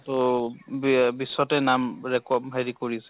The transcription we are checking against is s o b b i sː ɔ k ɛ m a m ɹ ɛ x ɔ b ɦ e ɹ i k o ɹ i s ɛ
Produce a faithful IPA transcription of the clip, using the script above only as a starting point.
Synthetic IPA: t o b b i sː ɔ t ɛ n a m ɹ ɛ k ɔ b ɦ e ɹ i k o ɹ i s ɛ